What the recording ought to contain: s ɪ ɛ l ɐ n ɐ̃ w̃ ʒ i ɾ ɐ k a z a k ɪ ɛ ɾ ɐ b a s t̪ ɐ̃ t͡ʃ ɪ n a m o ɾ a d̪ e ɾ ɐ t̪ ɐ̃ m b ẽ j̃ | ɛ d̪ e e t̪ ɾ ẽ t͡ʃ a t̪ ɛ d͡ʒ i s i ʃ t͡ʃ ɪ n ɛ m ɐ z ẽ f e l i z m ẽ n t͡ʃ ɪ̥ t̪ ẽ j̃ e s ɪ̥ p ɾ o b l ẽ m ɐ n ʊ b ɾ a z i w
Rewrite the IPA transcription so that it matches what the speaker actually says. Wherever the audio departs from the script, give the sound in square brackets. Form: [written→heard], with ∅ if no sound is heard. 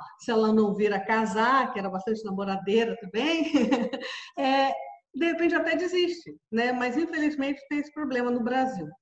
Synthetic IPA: s ɪ ɛ l ɐ n ɐ̃ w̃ [ʒ→v] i ɾ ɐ k a z a k ɪ ɛ ɾ ɐ b a s t̪ ɐ̃ t͡ʃ ɪ n a m o ɾ a d̪ e ɾ ɐ t̪ ɐ̃ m b ẽ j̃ | ɛ d̪ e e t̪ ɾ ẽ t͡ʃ a t̪ ɛ d͡ʒ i [s→z] i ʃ t͡ʃ ɪ n ɛ m ɐ z [ẽ→ĩ] f e l i z m ẽ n t͡ʃ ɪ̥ t̪ ẽ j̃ e s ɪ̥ p ɾ o b l ẽ m ɐ n ʊ b ɾ a z i w